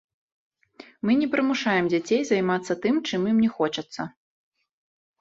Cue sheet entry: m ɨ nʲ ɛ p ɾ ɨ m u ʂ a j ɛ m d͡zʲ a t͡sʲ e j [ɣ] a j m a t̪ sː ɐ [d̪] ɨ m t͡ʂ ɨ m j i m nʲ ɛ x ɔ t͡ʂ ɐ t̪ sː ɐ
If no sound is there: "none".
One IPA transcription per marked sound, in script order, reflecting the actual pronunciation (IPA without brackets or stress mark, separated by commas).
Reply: z, t̪